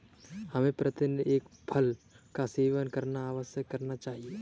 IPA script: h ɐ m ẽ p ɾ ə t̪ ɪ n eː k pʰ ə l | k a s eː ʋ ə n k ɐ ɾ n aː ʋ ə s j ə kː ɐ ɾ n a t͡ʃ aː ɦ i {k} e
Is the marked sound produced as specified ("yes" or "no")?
no